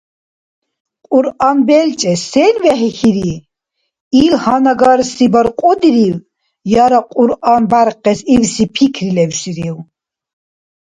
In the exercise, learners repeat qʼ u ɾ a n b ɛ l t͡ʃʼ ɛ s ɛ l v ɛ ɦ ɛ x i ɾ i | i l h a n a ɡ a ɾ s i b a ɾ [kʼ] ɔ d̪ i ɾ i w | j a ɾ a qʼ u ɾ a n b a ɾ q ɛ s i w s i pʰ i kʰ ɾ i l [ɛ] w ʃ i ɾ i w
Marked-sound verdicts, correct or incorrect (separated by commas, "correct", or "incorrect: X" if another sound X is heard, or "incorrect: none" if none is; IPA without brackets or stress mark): incorrect: qʼ, correct